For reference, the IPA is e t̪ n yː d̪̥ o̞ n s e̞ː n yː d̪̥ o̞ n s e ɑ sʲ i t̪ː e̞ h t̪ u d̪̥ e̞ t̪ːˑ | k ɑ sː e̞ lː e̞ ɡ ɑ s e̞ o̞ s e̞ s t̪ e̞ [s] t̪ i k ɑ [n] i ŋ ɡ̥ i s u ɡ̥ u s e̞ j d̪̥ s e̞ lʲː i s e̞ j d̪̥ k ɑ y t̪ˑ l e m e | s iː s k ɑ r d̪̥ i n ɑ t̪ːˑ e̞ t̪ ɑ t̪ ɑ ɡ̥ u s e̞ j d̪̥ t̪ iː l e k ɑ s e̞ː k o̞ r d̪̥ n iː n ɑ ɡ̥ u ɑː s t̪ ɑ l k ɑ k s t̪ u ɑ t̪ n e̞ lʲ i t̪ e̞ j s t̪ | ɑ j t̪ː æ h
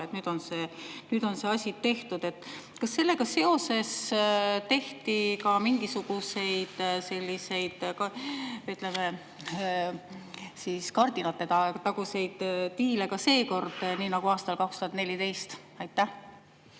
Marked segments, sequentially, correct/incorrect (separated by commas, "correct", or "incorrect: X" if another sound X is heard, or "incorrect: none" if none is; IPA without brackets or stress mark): incorrect: h, incorrect: m